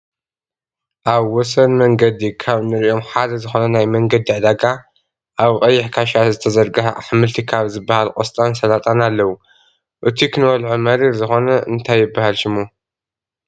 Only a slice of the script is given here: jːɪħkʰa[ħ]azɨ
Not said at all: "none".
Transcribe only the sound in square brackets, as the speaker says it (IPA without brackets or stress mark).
ʃ